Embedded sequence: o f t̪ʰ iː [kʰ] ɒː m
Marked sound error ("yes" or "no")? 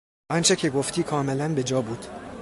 no